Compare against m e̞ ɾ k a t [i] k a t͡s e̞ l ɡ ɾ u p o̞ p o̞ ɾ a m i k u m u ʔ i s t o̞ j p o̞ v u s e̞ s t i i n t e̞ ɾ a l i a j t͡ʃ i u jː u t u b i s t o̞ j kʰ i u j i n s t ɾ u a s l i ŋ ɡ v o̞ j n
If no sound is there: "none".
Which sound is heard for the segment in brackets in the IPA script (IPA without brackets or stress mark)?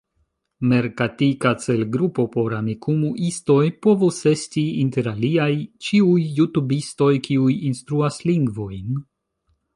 i